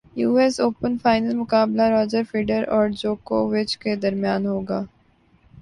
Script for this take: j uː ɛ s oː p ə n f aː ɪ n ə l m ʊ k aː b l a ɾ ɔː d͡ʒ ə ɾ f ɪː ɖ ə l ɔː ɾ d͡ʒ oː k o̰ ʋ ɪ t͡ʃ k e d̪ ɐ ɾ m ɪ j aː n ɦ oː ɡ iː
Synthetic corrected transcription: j uː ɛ s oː p ə n f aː ɪ n ə l m ʊ k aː b l a ɾ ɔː d͡ʒ ə ɾ f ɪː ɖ ə ɾ ɔː ɾ d͡ʒ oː k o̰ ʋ ɪ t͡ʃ k e d̪ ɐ ɾ m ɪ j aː n ɦ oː ɡ aː